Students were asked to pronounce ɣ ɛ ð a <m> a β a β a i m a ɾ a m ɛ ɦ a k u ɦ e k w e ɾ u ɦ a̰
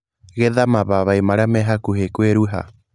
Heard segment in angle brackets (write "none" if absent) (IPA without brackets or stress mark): m